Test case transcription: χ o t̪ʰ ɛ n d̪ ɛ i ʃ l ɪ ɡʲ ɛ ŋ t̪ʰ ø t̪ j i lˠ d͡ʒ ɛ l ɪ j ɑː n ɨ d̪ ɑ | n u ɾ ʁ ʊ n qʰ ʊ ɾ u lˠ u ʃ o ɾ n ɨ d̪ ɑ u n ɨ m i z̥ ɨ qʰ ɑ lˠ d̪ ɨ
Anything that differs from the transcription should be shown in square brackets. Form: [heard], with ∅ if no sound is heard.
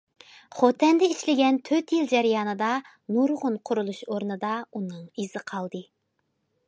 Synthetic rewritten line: χ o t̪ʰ ɛ n d̪ ɛ i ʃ l ɪ ɡʲ ɛ [n] t̪ʰ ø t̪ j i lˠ d͡ʒ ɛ [ɾ] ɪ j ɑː n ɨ d̪ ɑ | n u ɾ ʁ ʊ n qʰ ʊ ɾ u lˠ u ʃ o ɾ n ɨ d̪ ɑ u n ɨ [ŋ] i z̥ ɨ qʰ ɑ lˠ d̪ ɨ